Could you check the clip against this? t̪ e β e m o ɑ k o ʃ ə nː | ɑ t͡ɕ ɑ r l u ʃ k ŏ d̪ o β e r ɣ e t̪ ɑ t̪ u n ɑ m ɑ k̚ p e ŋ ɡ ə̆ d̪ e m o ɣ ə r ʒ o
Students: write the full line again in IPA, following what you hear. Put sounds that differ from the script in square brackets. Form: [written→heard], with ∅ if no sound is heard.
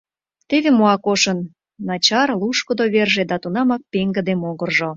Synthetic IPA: t̪ e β e m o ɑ k o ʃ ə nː | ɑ t͡ɕ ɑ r l u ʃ k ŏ d̪ o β e r [ɣ→ʒ] e [t̪→d̪] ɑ t̪ u n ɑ m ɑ k̚ p e ŋ ɡ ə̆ d̪ e m o ɣ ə r ʒ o